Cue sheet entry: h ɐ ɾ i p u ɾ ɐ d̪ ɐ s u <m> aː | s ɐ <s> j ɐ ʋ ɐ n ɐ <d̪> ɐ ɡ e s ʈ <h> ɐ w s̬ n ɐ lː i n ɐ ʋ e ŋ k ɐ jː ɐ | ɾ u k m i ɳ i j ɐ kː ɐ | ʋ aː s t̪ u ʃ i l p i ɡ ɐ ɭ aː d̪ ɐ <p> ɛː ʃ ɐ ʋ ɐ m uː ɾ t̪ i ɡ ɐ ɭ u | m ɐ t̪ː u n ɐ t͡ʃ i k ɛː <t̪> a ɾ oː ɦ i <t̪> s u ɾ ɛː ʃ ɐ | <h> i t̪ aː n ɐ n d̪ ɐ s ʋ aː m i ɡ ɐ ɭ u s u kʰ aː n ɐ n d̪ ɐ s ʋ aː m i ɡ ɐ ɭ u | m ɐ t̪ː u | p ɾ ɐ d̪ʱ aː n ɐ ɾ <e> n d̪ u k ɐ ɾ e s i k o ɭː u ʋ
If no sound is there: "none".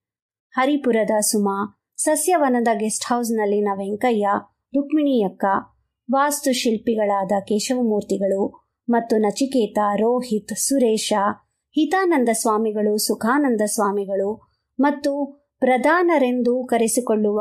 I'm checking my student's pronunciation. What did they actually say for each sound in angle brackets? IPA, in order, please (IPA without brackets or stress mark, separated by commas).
m, s, d̪, h, k, t̪, t̪, h, e